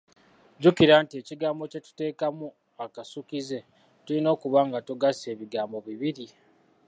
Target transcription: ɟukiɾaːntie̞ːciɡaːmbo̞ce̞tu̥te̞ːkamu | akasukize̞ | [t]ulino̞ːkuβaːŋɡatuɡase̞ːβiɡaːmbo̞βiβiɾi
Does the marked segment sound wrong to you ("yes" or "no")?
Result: no